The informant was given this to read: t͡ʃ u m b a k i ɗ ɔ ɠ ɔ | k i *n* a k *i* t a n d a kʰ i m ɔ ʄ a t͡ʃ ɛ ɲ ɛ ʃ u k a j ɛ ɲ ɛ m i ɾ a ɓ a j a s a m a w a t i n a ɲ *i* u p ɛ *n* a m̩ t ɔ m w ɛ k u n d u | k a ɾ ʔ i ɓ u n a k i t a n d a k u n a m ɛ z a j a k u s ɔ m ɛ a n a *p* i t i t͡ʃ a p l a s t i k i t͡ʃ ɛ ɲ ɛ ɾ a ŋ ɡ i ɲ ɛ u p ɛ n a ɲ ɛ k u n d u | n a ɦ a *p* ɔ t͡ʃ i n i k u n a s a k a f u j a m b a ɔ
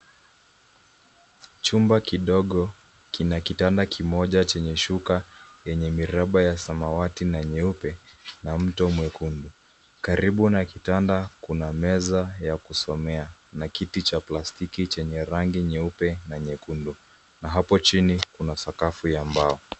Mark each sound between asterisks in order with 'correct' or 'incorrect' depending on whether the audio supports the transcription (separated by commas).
correct, correct, incorrect, correct, incorrect, correct